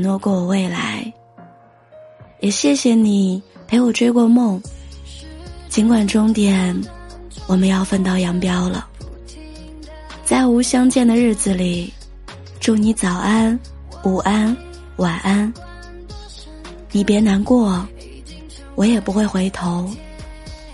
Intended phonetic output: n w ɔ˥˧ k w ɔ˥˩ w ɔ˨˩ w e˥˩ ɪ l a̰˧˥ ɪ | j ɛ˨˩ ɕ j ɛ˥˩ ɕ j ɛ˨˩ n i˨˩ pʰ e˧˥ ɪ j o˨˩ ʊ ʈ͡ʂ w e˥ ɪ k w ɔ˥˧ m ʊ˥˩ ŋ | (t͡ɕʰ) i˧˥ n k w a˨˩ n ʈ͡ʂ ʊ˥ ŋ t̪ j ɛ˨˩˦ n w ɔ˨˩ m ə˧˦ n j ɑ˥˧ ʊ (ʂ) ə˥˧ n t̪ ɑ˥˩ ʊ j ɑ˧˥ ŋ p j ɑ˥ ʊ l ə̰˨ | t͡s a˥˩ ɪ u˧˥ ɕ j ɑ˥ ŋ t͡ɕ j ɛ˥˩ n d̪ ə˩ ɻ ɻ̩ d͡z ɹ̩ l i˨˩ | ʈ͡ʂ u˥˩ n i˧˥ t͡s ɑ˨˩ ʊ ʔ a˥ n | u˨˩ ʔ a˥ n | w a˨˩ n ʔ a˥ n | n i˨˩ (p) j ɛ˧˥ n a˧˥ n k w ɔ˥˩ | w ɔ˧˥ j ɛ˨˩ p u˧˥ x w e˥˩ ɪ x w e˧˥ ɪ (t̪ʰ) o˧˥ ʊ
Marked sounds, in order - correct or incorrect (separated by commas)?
incorrect, incorrect, correct, correct